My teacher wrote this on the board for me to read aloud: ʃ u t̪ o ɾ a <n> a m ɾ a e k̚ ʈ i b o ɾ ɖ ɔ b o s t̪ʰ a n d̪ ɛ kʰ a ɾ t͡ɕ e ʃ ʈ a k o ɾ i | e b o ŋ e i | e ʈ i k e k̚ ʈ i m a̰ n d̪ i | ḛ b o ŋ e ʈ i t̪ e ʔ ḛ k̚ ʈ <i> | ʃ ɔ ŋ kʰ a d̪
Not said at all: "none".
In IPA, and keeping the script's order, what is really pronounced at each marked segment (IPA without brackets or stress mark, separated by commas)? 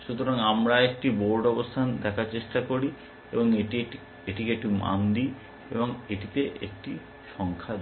ŋ, i